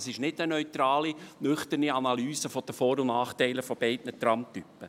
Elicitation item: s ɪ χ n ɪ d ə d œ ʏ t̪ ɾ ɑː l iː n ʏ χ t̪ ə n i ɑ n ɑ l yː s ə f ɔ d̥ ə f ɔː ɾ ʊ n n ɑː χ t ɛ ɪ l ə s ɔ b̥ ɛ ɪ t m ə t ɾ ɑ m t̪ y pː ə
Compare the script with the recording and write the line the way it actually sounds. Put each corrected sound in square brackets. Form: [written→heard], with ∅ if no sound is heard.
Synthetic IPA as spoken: s ɪ [χ→ʃ] n ɪ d ə [d→n] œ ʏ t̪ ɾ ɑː l [iː→i] n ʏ χ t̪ ə n i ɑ n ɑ l yː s ə f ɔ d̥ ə f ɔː ɾ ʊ n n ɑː χ t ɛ ɪ l ə [s→f] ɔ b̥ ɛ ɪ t [m→n] ə t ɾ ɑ m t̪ y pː ə